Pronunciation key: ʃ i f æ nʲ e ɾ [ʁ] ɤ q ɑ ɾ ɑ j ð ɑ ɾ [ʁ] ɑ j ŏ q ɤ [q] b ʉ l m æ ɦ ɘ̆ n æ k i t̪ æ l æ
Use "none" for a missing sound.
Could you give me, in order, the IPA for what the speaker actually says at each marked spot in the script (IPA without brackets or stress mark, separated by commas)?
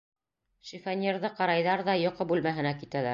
ð, ð, none